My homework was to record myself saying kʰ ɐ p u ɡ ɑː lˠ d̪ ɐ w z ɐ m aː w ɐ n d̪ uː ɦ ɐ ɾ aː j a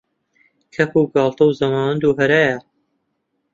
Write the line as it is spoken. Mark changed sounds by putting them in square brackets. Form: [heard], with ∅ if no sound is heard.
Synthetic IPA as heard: kʰ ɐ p u ɡ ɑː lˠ [t̪] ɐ w z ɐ m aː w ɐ n d̪ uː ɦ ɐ ɾ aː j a